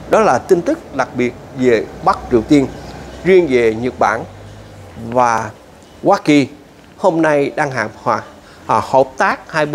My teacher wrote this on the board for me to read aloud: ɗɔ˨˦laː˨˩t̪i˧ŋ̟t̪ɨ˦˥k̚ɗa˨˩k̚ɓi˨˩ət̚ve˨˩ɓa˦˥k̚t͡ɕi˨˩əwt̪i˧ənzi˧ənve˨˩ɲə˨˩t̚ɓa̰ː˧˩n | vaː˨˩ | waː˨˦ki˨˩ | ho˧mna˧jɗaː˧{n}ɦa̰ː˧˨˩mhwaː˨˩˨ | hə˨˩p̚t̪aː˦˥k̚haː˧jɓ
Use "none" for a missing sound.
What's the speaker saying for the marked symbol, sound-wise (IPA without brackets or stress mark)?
ŋ